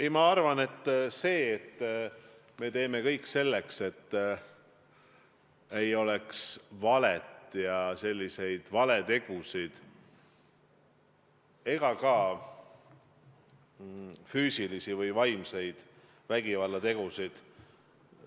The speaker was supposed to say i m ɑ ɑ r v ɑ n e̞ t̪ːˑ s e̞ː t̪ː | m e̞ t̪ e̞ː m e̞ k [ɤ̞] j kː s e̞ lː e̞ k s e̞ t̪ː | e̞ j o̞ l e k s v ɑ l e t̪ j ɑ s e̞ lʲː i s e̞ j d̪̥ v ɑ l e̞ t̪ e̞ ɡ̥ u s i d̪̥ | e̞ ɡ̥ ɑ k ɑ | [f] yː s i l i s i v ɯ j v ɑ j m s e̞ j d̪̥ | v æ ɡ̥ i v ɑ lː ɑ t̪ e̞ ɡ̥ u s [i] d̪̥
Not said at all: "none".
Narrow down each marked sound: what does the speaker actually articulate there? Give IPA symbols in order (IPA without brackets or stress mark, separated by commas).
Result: ɤ̞, f, i